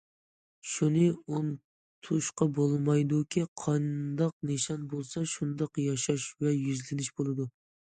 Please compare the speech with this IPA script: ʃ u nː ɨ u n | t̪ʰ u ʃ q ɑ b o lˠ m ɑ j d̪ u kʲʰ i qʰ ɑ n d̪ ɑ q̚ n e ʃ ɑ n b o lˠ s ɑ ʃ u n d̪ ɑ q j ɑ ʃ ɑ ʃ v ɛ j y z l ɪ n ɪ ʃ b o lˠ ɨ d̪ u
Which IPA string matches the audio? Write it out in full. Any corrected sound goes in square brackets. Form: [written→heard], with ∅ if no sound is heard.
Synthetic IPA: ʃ u [nː→n] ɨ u n | t̪ʰ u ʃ q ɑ b o lˠ m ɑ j d̪ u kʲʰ i qʰ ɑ n d̪ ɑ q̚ n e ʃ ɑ n b o lˠ s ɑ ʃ u n d̪ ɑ q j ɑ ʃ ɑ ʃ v ɛ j y z l ɪ n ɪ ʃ b o lˠ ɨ d̪ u

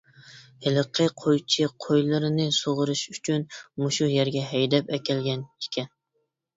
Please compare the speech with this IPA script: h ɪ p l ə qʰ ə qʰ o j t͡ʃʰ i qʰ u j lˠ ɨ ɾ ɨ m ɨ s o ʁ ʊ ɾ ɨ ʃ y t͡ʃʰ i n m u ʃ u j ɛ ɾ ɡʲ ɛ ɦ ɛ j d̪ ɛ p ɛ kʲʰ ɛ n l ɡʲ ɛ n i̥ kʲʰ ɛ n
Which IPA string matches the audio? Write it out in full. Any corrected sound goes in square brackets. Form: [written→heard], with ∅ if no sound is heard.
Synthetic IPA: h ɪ [p→∅] l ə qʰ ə qʰ o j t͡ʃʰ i qʰ [u→o] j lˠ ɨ ɾ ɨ [m→n] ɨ s o ʁ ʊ ɾ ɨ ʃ y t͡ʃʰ [i→y] n m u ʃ u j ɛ ɾ ɡʲ ɛ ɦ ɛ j d̪ ɛ p ɛ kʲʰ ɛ [n→∅] l ɡʲ ɛ n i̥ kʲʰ ɛ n

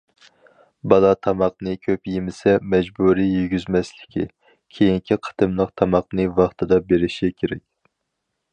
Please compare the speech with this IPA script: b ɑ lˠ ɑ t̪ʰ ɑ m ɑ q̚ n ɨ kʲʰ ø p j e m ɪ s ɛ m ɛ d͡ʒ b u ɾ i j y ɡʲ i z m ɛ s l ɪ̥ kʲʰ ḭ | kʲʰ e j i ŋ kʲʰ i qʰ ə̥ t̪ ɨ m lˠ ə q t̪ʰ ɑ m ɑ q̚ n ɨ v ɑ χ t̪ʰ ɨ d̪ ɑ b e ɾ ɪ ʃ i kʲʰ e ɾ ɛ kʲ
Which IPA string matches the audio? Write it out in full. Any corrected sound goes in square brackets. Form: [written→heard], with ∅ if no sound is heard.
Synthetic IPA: b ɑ lˠ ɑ t̪ʰ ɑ m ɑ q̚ n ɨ kʲʰ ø p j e m ɪ s ɛ m ɛ d͡ʒ b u ɾ i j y ɡʲ [i→y] z m ɛ s l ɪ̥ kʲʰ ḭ | kʲʰ e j i ŋ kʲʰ i qʰ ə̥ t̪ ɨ m lˠ ə q t̪ʰ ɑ m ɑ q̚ n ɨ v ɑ χ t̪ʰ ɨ d̪ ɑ b e ɾ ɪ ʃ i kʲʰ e ɾ ɛ kʲ

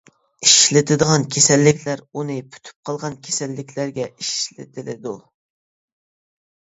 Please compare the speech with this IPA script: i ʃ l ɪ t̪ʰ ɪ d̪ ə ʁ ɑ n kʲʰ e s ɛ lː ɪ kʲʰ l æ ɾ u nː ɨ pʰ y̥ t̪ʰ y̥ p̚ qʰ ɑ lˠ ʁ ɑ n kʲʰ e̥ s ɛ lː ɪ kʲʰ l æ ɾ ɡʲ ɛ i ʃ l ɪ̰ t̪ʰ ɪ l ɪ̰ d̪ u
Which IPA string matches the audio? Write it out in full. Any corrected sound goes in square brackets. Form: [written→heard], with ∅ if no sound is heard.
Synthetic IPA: i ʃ l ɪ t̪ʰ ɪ d̪ ə ʁ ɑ n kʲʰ e s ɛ lː ɪ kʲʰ l æ ɾ u [nː→n] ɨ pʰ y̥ t̪ʰ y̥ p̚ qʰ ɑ lˠ ʁ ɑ n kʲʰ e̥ s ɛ lː ɪ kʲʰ l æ ɾ ɡʲ ɛ i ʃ l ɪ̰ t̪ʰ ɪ l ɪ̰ d̪ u

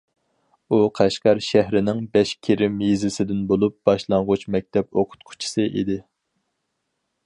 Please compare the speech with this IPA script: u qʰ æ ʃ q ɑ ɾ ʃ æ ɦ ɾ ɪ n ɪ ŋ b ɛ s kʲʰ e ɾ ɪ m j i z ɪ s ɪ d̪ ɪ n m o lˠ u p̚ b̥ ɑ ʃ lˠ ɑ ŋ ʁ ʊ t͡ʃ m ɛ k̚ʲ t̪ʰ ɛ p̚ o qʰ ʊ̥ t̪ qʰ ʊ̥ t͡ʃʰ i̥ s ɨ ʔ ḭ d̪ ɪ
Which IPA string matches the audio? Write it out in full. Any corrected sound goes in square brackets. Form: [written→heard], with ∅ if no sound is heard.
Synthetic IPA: u qʰ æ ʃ q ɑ ɾ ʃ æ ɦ ɾ ɪ n ɪ ŋ b ɛ [s→ʃ] kʲʰ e ɾ ɪ m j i z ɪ s ɪ d̪ ɪ n [m→b] o lˠ u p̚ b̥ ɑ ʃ lˠ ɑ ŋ ʁ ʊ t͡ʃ m ɛ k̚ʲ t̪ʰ ɛ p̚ o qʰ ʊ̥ t̪ qʰ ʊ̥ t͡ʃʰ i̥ s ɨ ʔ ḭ d̪ ɪ

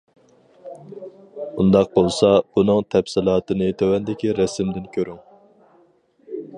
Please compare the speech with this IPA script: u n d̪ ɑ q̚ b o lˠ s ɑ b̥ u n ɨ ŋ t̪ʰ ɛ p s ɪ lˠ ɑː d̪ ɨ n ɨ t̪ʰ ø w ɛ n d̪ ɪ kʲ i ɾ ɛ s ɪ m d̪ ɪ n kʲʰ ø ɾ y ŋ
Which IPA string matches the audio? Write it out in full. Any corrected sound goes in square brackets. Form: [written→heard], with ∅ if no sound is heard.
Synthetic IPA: u n d̪ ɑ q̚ b o lˠ s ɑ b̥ u n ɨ ŋ t̪ʰ ɛ p s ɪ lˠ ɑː [d̪→t̪] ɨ n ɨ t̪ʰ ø w ɛ n d̪ ɪ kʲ i ɾ ɛ s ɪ m d̪ ɪ n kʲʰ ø ɾ y ŋ

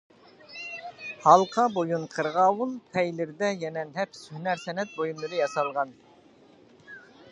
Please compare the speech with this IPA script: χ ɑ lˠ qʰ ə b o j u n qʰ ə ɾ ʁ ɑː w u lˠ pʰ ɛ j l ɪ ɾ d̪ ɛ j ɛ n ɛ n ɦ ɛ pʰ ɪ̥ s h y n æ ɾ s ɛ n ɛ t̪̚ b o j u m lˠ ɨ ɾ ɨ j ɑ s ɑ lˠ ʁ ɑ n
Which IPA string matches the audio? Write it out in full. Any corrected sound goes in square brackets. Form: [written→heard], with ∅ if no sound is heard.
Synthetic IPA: [χ→h] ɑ lˠ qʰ [ə→ɑ] b o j u n qʰ ə ɾ ʁ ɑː w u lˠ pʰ ɛ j l ɪ ɾ d̪ ɛ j ɛ n ɛ n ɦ ɛ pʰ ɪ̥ s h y n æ ɾ s ɛ n ɛ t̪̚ b o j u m lˠ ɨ ɾ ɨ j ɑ s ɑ lˠ ʁ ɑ n

